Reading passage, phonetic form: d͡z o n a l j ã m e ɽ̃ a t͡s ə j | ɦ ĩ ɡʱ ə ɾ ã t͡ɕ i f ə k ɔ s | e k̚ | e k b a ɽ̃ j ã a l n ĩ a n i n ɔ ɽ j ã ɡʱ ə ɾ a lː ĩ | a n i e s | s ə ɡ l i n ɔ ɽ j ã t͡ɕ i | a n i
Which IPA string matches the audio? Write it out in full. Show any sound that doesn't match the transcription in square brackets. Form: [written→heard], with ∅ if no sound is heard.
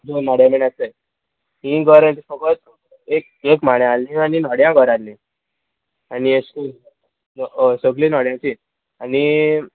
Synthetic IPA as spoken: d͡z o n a [l→ɽ] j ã m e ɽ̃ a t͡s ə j | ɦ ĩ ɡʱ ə ɾ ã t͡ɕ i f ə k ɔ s | e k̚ | e k [b→m] a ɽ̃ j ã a l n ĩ a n i n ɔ ɽ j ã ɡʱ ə ɾ a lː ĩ | a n i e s | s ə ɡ l i n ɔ ɽ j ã t͡ɕ i | a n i